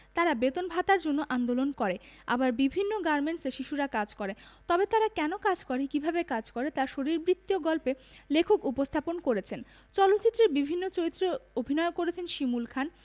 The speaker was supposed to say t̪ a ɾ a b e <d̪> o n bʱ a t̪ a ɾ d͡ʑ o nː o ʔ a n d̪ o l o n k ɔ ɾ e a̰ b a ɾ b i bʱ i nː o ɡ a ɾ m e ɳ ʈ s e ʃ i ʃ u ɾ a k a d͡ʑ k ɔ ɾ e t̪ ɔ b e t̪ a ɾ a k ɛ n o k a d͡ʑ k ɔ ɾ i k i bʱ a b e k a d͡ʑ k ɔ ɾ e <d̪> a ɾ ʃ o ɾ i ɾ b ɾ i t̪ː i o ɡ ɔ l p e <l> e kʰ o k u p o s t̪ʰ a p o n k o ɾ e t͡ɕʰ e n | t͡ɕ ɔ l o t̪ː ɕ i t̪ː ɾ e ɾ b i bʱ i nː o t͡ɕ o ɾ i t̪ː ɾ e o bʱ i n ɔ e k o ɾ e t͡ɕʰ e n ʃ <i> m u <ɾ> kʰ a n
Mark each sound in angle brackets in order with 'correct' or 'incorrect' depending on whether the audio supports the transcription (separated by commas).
incorrect, incorrect, correct, correct, incorrect